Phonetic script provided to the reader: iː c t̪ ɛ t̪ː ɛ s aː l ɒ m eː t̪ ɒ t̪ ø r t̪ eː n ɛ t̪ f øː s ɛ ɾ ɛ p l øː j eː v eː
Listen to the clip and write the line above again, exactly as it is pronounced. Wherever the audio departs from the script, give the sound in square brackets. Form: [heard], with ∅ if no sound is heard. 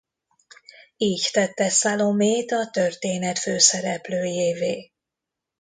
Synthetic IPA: iː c t̪ ɛ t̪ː ɛ s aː l [o] m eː t̪ ɒ t̪ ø r t̪ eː n ɛ t̪ f øː s ɛ ɾ ɛ p l øː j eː v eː